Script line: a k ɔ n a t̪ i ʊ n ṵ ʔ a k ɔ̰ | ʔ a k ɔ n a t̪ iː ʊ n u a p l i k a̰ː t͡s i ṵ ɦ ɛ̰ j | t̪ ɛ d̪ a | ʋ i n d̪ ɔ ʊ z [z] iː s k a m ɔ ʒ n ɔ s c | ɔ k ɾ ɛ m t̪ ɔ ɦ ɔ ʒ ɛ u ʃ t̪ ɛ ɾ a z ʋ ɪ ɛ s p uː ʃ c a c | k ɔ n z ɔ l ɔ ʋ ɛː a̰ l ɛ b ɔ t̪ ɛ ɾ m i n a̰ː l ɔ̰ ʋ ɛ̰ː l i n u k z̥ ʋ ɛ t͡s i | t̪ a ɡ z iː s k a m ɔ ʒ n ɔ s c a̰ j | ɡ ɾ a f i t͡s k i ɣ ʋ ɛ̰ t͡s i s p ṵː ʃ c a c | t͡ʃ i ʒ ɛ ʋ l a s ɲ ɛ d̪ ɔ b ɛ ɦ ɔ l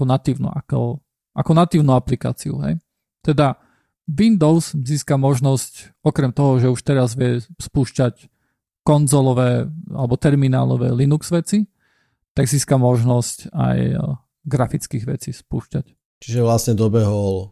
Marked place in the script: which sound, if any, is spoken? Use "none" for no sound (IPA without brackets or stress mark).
z